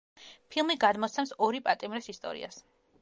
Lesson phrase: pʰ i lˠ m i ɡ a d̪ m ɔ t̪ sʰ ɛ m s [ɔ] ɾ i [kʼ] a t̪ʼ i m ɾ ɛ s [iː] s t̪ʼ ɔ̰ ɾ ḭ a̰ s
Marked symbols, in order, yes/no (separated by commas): yes, no, no